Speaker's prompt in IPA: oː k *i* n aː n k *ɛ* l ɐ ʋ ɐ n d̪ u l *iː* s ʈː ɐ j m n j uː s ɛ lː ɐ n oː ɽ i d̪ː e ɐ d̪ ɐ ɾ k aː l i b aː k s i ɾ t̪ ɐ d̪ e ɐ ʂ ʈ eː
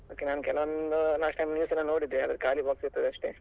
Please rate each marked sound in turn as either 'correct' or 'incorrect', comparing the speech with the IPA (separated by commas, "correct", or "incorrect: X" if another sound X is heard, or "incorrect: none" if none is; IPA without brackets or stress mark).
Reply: incorrect: e, correct, incorrect: aː